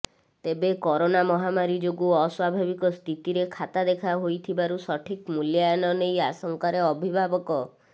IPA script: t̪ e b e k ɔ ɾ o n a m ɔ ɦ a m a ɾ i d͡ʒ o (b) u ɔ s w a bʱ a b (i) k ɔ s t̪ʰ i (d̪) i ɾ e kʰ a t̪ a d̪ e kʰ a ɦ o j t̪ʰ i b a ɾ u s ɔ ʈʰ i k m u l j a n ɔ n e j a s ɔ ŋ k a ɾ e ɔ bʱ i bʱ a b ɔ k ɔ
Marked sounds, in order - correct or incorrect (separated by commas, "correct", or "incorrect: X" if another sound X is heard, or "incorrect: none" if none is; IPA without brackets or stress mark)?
incorrect: ɡ, correct, incorrect: t̪